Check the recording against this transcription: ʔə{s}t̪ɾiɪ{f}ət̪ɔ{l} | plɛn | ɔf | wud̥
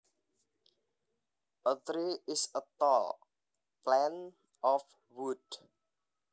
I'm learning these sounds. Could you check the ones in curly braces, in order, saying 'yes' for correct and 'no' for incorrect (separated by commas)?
no, no, yes